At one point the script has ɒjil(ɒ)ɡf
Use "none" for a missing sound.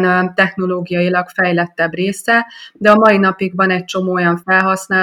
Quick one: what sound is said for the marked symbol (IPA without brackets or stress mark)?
ɒ